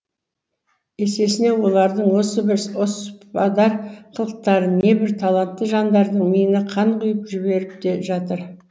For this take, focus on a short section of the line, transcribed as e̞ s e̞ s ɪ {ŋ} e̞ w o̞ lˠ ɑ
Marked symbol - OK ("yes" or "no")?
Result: no